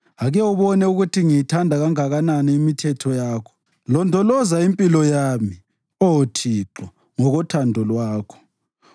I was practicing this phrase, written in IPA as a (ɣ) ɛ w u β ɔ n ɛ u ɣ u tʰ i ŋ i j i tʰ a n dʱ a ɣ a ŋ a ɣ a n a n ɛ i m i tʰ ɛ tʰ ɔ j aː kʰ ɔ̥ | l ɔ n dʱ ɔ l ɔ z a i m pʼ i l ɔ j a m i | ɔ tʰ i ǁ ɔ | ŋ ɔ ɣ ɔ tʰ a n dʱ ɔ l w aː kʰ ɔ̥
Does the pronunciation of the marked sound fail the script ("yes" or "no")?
no